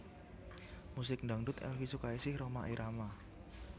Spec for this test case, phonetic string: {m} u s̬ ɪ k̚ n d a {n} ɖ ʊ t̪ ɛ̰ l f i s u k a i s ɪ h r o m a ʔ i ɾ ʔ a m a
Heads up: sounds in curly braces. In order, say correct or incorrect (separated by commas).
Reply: correct, incorrect